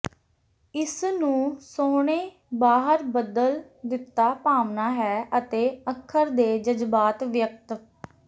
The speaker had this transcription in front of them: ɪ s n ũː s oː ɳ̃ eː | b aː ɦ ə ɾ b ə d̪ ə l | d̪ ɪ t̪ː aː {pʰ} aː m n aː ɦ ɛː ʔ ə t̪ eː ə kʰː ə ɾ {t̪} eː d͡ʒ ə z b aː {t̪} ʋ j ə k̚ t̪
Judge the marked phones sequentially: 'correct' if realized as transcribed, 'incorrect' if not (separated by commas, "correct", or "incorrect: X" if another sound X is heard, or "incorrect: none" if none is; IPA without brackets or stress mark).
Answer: incorrect: p, incorrect: d̪, correct